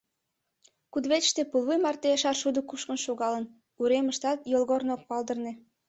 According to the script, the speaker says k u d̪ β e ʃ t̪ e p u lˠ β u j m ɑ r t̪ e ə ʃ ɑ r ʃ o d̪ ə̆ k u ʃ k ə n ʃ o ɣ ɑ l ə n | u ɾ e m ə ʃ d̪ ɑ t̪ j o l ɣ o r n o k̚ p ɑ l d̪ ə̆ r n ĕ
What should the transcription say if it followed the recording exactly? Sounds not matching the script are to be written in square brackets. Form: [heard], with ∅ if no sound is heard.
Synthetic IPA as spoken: k u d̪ β e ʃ t̪ e p u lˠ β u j m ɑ r t̪ e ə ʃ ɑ r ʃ [u] d̪ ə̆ k u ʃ k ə n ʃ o ɣ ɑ l ə n | u ɾ e m ə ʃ [t̪] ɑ t̪ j o l ɣ o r n o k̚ p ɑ l d̪ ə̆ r n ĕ